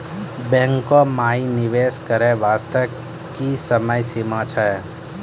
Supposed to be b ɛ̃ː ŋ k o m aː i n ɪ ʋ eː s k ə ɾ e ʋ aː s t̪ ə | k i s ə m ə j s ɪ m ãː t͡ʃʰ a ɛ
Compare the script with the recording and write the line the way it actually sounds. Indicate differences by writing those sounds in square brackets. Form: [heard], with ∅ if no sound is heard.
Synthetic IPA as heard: b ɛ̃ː ŋ k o m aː i n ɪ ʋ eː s k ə ɾ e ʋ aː s t̪ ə | k i s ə m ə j s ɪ m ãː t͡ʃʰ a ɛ